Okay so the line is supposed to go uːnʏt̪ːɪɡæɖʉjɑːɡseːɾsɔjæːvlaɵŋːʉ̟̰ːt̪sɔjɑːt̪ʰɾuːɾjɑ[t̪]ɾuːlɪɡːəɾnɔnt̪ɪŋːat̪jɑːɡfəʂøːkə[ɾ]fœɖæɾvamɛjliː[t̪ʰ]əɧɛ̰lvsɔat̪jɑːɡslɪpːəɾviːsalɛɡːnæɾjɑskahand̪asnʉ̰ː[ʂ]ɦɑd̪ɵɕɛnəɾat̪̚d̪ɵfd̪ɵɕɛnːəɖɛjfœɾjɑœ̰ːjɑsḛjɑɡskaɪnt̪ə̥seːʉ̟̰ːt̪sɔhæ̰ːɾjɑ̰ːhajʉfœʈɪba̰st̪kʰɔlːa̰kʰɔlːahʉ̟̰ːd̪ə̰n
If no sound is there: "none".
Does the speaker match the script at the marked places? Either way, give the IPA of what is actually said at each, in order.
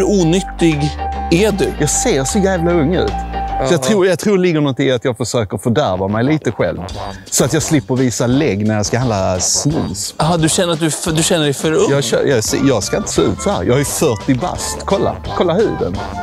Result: t̪ʰ, ɾ, t̪, s

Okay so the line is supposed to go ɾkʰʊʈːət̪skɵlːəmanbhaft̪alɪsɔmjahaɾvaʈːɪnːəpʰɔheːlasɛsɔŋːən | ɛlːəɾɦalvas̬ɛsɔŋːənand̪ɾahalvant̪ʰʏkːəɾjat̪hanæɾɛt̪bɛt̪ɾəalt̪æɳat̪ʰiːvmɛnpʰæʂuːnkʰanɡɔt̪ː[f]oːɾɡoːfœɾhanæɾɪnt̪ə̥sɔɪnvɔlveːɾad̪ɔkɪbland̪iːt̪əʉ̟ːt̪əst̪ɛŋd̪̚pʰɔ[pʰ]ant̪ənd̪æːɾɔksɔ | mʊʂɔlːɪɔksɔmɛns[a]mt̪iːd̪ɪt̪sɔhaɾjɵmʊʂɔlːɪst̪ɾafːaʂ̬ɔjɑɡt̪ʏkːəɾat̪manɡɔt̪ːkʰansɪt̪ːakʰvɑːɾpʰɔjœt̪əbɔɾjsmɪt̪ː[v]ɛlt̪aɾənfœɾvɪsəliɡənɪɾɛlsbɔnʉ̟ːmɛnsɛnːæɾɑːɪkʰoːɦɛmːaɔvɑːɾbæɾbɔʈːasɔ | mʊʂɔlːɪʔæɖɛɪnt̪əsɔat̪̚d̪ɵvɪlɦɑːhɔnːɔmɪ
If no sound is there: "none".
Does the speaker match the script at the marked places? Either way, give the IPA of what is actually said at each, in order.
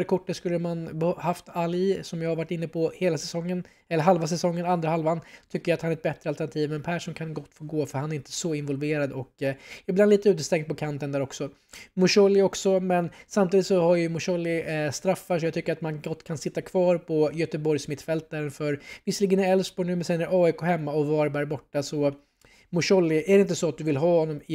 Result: f, kʰ, a, f

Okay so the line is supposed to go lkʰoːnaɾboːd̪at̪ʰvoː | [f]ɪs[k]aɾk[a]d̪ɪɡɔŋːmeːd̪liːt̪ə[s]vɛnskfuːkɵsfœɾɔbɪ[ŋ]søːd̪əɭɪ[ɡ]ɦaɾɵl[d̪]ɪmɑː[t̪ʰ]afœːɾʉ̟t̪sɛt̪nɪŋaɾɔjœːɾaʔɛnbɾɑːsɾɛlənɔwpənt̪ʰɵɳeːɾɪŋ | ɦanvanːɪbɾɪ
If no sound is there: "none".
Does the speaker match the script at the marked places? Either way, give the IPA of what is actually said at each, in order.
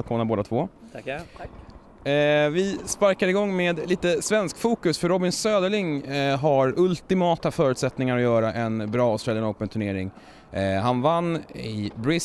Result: v, p, a, s, n, ŋ, t̪, t̪

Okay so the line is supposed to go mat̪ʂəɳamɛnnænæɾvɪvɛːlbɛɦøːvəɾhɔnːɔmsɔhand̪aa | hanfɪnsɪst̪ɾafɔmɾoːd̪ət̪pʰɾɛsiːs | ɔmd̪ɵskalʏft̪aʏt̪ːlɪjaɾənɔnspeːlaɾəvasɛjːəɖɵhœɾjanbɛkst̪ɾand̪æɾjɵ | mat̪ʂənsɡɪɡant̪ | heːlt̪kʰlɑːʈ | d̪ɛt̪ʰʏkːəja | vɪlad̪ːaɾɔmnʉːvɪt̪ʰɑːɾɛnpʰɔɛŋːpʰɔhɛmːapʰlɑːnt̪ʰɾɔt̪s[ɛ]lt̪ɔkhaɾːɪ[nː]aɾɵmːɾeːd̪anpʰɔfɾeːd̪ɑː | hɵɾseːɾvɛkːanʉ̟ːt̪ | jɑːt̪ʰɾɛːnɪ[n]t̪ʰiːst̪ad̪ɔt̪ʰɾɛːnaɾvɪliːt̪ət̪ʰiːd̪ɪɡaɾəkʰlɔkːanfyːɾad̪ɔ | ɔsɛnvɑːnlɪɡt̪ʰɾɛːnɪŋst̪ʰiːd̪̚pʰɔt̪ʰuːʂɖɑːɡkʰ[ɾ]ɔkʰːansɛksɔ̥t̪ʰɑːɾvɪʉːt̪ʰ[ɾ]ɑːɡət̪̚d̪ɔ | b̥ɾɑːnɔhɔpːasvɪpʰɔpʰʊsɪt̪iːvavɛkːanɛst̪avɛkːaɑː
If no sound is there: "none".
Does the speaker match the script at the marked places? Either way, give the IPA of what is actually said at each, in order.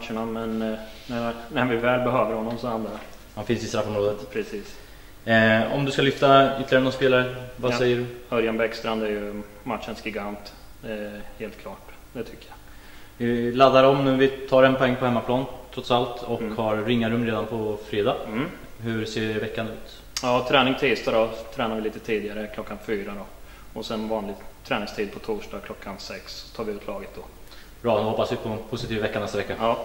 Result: a, ŋː, ŋ, l, l

